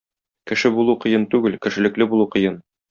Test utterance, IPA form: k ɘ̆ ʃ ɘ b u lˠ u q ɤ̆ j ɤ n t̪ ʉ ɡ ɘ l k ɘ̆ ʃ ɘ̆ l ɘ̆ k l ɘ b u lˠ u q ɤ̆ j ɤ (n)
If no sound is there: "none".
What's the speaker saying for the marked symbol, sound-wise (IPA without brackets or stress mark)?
n